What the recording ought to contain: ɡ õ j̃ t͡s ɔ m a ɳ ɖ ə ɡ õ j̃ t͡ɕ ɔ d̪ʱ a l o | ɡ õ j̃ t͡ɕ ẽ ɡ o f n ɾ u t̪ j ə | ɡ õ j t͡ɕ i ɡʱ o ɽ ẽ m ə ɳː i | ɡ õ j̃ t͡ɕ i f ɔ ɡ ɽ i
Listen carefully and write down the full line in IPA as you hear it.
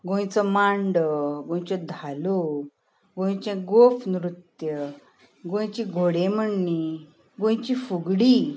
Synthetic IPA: ɡ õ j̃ t͡s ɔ m a ɳ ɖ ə ɡ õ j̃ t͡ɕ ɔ d̪ʱ a l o | ɡ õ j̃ t͡ɕ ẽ ɡ o f n ɾ u t̪ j ə | ɡ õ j t͡ɕ i ɡʱ o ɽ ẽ m ə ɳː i | ɡ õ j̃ t͡ɕ i f u ɡ ɽ i

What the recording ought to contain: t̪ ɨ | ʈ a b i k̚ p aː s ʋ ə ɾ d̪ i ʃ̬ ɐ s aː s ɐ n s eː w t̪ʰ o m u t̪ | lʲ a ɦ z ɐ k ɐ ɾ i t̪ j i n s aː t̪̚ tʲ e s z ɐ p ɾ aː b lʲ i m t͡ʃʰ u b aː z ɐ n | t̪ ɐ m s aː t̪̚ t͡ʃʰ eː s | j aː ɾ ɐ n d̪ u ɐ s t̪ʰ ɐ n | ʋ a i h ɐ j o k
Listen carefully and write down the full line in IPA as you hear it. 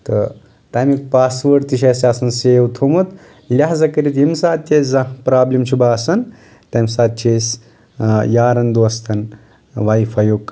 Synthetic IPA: t̪ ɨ | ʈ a m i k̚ p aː s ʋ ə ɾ t̪ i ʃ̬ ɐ s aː s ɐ n s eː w t̪ʰ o m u t̪ | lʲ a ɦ z ɐ k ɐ ɾ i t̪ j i m s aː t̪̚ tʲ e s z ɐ p ɾ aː b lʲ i m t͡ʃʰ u b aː s ɐ n | t̪ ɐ m s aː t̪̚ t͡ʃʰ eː s | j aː ɾ ɐ n d̪ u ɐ s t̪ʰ ɐ n | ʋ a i f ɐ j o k

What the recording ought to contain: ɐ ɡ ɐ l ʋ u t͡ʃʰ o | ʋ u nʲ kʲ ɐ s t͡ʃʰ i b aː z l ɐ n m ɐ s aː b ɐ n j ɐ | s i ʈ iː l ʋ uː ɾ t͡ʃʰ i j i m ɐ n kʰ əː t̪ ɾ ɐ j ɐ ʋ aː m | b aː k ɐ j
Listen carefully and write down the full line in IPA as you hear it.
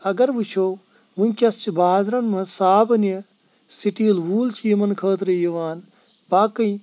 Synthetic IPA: ɐ ɡ ɐ ɾ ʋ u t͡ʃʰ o | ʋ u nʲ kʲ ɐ s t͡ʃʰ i b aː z ɾ ɐ n m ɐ s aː b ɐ n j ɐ | s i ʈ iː l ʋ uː l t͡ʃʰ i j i m ɐ n kʰ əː t̪ ɾ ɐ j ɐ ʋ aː n | b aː k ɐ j

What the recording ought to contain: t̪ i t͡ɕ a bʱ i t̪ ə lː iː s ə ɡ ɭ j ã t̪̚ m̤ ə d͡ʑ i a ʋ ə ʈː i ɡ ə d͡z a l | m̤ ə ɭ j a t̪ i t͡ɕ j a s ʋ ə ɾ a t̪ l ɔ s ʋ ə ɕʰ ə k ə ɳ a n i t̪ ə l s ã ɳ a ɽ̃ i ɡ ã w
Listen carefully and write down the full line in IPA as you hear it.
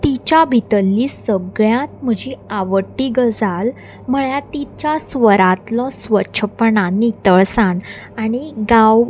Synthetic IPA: t̪ i t͡ɕ a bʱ i t̪ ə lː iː s ə ɡ ɭ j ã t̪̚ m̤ ə d͡ʑ i a ʋ ə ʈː i ɡ ə d͡z a l | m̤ ə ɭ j a t̪ i t͡ɕ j a s ʋ ə ɾ a t̪ l ɔ s ʋ ə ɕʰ ə p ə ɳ a n i t̪ ə ɭ s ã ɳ a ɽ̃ i ɡ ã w

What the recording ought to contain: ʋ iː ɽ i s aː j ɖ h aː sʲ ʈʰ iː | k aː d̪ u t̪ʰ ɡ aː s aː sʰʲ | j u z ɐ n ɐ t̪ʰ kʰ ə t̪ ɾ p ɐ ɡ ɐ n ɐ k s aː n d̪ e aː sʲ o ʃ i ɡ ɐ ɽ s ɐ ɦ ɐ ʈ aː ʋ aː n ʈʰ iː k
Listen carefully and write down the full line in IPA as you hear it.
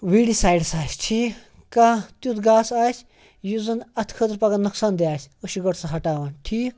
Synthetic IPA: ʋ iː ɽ i s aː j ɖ s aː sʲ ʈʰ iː | k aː t̪ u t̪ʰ ɡ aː s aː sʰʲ | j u z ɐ n ɐ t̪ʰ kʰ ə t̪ ɾ p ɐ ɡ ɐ n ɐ k s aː n d̪ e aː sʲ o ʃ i ɡ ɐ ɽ s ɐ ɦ ɐ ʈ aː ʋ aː n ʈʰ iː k

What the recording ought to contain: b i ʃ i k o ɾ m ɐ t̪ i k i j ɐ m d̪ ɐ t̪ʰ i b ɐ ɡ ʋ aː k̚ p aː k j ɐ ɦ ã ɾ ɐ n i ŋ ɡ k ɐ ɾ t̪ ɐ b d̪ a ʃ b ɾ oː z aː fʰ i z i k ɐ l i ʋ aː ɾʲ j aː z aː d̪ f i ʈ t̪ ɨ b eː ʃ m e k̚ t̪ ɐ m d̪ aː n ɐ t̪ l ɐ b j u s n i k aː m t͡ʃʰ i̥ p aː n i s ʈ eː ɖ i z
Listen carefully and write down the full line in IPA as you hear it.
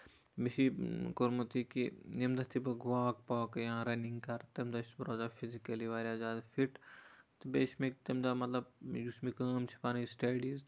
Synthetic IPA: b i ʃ i k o ɾ m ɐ t̪ i k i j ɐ m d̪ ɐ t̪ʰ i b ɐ ɡ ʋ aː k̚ p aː k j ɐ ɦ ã ɾ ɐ n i ŋ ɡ k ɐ ɾ t̪ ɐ m d̪ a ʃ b ɾ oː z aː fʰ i z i k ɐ l i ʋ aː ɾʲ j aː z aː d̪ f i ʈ t̪ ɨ b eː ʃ m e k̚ t̪ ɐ m d̪ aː m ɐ t̪ l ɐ b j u s m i k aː m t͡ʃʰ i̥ p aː n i s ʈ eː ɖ i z

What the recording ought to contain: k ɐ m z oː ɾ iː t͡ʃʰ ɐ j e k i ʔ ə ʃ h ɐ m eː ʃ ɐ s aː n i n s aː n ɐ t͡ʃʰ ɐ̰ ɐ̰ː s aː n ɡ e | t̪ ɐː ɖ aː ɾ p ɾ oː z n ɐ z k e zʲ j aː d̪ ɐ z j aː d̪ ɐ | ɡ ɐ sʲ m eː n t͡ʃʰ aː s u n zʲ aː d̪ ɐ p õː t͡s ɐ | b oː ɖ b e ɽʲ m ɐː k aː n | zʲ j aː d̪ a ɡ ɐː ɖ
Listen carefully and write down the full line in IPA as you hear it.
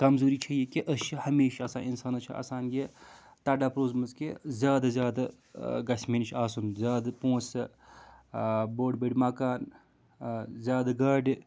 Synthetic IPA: k ɐ m z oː ɾ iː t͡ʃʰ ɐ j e k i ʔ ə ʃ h ɐ m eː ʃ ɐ s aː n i n s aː n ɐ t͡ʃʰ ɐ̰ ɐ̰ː s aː n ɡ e | t̪ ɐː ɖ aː p ɾ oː z m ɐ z k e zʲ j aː d̪ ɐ z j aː d̪ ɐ | ɡ ɐ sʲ m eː n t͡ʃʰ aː s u n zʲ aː d̪ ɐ p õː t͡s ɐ | b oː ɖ b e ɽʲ m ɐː k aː n | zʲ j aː d̪ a ɡ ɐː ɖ

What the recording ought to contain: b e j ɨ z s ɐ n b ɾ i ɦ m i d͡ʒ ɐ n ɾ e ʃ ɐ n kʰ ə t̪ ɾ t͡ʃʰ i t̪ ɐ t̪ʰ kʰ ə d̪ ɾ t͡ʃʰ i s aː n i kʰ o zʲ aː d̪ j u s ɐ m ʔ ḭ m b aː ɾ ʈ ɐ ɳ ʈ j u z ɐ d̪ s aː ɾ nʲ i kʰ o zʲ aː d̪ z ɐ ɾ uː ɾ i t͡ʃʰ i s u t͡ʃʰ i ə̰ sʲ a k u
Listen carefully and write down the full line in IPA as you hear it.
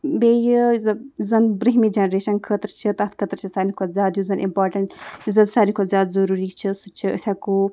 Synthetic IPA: b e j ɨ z z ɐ n b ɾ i ɦ m i d͡ʒ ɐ n ɾ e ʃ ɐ n kʰ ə t̪ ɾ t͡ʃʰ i t̪ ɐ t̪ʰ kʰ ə t̪ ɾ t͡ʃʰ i s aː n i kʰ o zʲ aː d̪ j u z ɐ n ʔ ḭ m p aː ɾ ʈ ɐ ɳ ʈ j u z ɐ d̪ s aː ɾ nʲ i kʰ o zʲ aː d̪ z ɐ ɾ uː ɾ i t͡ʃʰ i s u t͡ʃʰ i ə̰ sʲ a k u

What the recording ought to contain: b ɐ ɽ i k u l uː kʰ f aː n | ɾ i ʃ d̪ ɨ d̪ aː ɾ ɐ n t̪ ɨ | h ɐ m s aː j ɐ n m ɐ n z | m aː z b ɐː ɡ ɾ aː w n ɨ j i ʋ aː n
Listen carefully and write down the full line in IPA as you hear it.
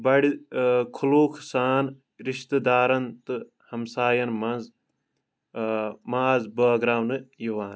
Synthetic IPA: b ɐ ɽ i kʰ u l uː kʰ s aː n | ɾ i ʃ t̪ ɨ d̪ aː ɾ ɐ n t̪ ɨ | h ɐ m s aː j ɐ n m ɐ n z | m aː z b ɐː ɡ ɾ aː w n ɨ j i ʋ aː n

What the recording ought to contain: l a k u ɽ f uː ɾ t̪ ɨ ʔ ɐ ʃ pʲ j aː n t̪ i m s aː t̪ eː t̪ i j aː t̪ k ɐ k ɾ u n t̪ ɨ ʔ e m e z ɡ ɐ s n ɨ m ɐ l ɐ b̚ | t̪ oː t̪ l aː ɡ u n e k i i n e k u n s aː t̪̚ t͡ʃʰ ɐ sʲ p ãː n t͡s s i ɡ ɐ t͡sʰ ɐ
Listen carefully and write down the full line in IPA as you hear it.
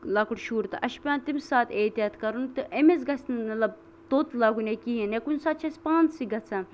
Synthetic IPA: l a k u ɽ ʃ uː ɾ t̪ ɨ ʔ ɐ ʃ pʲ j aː n t̪ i m s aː t̪ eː t̪ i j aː t̪ k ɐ ɾ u n t̪ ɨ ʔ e m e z ɡ ɐ s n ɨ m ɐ l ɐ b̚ | t̪ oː t̪ l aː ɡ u n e k i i n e k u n s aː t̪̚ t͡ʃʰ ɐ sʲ p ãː n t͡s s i ɡ ɐ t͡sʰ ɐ

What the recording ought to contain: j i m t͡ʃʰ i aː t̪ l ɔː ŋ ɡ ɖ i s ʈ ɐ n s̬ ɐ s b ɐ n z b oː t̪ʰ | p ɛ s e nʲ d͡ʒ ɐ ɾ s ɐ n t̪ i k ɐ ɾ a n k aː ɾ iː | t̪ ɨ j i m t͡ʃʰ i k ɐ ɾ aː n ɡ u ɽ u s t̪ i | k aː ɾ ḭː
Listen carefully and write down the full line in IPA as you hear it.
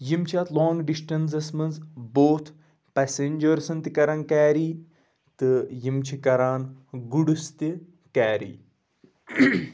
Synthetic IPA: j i m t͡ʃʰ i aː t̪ l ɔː ŋ ɡ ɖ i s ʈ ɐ n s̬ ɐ s m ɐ n z b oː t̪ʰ | p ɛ s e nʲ d͡ʒ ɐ ɾ s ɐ n t̪ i k ɐ ɾ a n k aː ɾ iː | t̪ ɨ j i m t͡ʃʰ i k ɐ ɾ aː n ɡ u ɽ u s t̪ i | k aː ɾ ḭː

